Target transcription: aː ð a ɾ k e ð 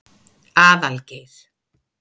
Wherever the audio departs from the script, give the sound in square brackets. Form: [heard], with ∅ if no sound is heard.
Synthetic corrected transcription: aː ð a [l] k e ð